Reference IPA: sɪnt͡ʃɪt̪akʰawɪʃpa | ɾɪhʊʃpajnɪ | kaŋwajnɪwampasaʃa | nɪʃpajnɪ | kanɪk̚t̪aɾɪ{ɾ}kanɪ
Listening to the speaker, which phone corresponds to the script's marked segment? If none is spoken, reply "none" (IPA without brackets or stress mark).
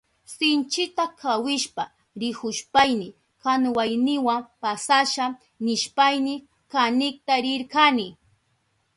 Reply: ɾ